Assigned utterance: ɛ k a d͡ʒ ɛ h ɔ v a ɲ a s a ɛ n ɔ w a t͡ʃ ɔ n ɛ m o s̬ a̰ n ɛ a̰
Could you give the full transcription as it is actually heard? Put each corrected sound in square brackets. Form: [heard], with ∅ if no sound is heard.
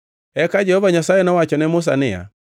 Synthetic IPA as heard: ɛ k a d͡ʒ ɛ h ɔ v a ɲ a s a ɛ n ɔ w a t͡ʃ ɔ n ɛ m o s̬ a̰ n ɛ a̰